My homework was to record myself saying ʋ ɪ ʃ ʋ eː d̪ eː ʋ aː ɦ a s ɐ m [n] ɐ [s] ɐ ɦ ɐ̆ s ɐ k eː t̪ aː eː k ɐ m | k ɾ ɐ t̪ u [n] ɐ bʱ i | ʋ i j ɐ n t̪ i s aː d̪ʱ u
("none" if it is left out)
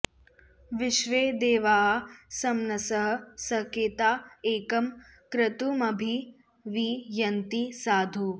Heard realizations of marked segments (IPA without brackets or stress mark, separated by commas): n, s, m